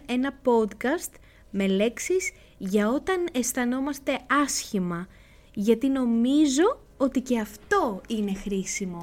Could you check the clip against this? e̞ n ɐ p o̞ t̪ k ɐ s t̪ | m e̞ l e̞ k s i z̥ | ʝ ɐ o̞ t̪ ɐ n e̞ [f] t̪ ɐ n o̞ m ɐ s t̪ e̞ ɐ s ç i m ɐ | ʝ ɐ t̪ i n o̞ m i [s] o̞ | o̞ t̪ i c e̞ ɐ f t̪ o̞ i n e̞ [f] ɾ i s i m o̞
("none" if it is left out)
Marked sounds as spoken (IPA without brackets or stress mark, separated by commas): s, z, x